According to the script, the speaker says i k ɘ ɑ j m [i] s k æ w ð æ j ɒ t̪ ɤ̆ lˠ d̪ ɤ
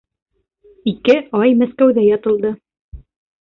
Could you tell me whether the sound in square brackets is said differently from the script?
yes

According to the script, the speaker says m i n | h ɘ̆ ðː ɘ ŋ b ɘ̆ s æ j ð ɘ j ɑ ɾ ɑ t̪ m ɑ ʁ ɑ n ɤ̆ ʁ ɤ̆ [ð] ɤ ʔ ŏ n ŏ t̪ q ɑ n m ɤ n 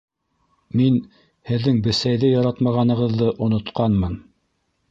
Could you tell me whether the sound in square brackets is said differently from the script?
yes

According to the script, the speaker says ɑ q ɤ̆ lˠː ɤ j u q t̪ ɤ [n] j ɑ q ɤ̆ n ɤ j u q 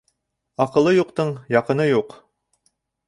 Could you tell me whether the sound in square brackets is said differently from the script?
yes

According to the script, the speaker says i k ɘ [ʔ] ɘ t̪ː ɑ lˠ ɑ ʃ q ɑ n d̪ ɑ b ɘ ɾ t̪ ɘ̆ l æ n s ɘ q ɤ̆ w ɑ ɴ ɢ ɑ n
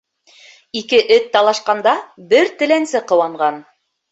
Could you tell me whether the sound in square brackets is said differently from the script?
no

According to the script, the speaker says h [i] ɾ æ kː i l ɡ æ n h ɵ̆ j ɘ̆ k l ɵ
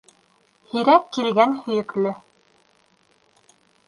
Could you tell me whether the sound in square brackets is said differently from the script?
no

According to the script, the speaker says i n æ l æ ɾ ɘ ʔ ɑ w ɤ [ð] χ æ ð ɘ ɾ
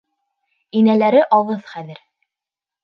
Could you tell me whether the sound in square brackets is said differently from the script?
no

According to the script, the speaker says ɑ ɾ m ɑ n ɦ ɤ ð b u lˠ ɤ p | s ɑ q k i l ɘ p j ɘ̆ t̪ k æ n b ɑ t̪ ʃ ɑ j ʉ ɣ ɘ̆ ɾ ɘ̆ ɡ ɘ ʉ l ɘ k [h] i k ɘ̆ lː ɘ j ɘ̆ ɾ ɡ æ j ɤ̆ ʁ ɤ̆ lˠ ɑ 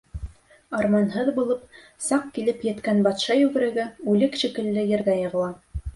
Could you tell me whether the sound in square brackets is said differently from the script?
yes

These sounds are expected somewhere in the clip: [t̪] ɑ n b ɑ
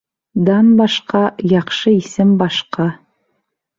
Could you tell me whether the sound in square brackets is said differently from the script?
yes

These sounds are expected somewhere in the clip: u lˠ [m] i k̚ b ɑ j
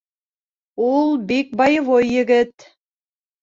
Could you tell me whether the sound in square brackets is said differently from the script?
yes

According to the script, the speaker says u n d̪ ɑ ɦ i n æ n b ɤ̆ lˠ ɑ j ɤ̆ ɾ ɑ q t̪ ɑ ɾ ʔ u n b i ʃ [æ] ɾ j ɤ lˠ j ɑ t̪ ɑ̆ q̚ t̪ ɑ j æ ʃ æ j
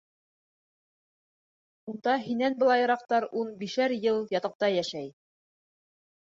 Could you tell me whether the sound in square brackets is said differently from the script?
no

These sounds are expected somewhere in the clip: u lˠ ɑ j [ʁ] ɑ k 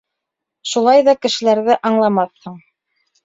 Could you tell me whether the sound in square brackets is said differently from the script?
yes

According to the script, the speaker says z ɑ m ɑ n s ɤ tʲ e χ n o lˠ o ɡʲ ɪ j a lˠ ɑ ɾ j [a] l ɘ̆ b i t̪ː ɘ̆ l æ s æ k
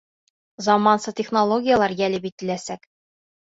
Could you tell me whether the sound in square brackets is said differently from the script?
yes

